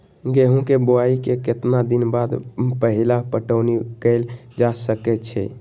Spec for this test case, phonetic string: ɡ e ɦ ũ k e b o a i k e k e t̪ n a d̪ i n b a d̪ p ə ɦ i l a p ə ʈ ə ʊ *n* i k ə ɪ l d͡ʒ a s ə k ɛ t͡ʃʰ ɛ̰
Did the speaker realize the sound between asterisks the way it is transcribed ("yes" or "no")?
yes